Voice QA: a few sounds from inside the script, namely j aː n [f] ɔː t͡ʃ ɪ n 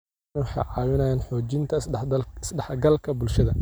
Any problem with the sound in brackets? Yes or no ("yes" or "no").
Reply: yes